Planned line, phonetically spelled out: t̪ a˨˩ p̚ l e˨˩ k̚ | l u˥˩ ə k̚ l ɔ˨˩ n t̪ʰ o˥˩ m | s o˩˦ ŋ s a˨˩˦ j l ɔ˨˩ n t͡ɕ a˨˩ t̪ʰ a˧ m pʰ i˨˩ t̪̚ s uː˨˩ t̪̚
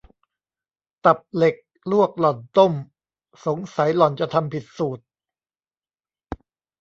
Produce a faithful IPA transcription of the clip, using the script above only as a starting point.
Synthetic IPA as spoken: t̪ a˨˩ p̚ l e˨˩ k̚ | l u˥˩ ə k̚ l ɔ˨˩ n t̪ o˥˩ m | s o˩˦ ŋ s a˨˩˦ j l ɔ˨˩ n t͡ɕ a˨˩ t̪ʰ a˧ m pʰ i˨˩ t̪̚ s uː˨˩ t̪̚